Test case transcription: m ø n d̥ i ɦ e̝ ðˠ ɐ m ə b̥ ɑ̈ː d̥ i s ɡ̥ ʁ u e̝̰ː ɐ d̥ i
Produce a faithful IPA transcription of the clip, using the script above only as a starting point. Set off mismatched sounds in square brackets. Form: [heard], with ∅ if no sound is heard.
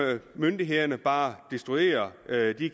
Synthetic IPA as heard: m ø n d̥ i ɦ e̝ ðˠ ɐ [n] ə b̥ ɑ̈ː d̥ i s [d̥] ʁ u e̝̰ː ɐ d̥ i